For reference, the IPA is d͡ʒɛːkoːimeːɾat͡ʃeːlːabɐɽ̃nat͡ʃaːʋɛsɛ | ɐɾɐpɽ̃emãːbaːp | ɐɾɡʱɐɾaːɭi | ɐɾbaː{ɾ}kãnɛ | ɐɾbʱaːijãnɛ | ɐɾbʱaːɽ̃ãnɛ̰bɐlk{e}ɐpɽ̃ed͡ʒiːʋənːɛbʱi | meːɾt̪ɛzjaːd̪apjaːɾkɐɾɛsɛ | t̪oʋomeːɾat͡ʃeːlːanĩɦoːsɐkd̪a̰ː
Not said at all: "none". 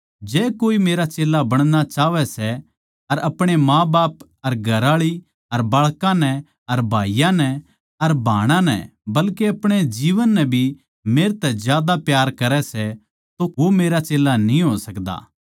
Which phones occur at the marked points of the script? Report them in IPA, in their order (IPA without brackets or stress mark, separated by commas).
ɭ, e